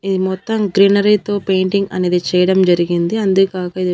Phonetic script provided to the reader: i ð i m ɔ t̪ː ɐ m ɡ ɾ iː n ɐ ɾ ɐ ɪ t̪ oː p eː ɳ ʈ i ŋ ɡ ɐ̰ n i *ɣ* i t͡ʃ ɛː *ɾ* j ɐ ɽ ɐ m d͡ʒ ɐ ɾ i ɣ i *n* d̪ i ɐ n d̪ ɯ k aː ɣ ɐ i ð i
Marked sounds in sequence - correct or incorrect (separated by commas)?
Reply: incorrect, incorrect, correct